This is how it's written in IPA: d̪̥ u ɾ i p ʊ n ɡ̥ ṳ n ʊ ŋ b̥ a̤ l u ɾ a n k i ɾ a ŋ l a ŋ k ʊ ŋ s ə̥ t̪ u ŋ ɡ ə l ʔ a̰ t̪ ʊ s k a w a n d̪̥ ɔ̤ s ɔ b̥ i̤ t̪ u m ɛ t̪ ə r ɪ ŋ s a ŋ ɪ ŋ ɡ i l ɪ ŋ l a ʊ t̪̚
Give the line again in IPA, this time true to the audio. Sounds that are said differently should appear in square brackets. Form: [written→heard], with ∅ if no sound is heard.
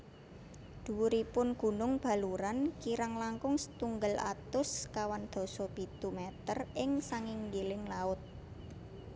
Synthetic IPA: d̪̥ u ɾ i p ʊ n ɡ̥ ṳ n ʊ ŋ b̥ a̤ l u ɾ a n k i ɾ a ŋ l a ŋ k ʊ ŋ s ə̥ t̪ u ŋ ɡ ə l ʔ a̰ t̪ ʊ s k a w a n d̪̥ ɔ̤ s ɔ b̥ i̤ t̪ u m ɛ t̪ ə r ɪ ŋ s a ŋ ɪ ŋ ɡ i l ɪ ŋ l a ʊ t̪̚